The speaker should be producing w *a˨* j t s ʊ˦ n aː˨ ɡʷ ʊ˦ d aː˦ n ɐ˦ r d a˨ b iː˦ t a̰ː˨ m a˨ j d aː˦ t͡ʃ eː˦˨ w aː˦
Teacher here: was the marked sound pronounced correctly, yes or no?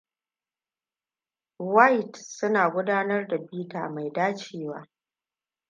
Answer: no